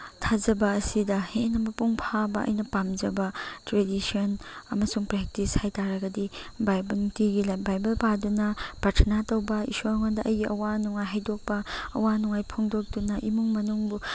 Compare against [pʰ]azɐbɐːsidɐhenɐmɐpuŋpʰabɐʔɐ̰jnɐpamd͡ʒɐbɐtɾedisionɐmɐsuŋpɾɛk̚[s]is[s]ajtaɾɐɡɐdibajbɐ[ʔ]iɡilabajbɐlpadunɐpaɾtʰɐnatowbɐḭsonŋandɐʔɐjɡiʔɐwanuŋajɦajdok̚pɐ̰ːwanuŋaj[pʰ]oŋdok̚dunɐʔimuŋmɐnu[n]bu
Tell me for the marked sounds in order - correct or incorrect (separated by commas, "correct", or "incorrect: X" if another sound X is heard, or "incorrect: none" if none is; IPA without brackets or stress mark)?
incorrect: tʰ, incorrect: t, incorrect: h, incorrect: t, correct, incorrect: ŋ